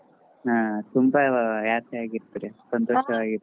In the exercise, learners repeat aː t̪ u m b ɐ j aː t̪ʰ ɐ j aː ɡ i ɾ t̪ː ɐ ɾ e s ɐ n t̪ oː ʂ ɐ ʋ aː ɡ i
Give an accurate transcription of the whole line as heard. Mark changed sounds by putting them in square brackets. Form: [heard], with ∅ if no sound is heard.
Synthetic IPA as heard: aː t̪ u m b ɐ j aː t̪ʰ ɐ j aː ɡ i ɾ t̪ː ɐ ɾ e s ɐ n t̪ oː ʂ ɐ ʋ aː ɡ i

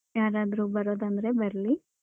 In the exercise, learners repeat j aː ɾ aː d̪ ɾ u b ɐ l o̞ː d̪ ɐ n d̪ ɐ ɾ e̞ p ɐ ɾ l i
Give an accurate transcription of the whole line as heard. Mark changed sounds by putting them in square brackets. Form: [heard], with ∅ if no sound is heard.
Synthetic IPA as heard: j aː ɾ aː d̪ ɾ u b ɐ [ɾ] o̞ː d̪ ɐ n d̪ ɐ ɾ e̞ [b] ɐ ɾ l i

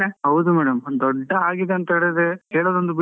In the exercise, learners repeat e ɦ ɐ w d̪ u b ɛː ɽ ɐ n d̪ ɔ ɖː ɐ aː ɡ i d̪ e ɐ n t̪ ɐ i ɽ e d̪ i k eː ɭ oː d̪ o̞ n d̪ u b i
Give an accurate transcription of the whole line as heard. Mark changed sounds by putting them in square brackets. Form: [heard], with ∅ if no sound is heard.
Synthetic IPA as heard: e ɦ ɐ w d̪ u [m] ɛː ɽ ɐ [m] d̪ ɔ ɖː ɐ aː ɡ i d̪ e ɐ n t̪ ɐ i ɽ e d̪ [e] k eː ɭ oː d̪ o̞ n d̪ u b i

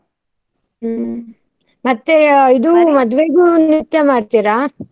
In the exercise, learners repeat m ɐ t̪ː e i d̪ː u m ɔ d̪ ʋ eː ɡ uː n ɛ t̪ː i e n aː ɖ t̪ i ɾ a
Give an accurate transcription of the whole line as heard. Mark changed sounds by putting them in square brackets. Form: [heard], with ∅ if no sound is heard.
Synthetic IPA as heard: m ɐ t̪ː e i [d̪] u m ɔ d̪ ʋ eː ɡ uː n [i] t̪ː [j] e [m] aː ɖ t̪ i ɾ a

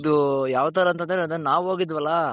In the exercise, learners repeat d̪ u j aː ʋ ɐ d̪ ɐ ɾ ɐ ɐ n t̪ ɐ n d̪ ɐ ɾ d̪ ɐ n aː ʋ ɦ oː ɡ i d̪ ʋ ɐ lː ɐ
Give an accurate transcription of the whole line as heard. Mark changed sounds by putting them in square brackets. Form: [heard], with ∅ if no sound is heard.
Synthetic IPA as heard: d̪ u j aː ʋ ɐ [t̪] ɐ ɾ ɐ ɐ n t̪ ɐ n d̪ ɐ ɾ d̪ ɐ n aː ʋ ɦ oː ɡ i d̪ ʋ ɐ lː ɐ

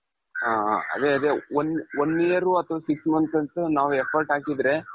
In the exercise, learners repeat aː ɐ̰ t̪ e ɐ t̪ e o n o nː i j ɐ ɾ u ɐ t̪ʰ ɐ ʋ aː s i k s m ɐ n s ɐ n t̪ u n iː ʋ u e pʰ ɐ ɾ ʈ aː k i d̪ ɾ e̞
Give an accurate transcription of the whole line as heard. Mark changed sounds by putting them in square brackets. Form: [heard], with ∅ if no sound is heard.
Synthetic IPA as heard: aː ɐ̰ [d̪] e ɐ [d̪] e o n o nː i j ɐ ɾ u ɐ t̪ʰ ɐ ʋ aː s i k s m ɐ n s ɐ n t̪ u n [aː] ʋ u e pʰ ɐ ɾ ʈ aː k i d̪ ɾ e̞

